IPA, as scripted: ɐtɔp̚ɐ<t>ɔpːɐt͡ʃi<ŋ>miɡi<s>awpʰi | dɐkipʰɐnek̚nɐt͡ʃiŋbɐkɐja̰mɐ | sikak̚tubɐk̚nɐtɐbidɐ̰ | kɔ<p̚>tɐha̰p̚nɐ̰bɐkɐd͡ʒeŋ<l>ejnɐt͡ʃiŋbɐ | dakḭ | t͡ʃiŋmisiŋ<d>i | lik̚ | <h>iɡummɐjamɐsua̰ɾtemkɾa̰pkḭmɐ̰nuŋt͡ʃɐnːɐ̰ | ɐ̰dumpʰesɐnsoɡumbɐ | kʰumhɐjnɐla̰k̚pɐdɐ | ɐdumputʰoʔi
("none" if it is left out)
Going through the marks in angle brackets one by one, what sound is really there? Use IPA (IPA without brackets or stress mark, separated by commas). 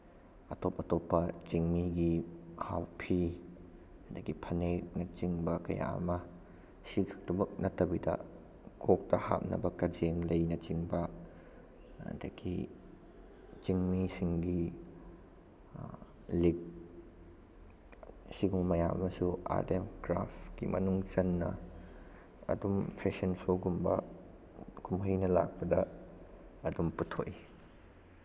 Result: t, ŋ, h, k̚, l, ɡ, s